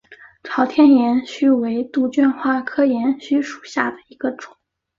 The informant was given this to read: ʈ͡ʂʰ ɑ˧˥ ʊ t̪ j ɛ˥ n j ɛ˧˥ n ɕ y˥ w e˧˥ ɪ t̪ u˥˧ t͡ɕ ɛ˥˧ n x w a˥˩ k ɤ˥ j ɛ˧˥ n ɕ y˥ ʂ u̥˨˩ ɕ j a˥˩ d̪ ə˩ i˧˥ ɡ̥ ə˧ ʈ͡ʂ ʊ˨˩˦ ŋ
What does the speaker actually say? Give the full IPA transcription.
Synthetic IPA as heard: ʈ͡ʂʰ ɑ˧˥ ʊ t̪ʰ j ɛ˥ n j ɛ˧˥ n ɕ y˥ w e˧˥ ɪ t̪ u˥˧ t͡ɕ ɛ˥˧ n x w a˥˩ kʰ ɤ˥ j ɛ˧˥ n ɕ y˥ ʂ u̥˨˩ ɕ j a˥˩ d̪ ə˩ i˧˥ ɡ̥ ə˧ ʈ͡ʂ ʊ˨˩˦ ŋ